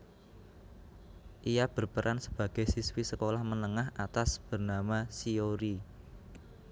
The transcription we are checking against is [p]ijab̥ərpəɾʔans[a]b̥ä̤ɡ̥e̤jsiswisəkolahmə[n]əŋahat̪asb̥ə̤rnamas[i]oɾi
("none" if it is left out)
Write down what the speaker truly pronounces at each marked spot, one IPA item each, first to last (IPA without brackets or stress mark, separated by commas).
ʔ, ə, n, i